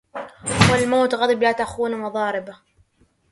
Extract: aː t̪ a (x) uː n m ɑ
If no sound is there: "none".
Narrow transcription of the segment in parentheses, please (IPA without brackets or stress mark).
x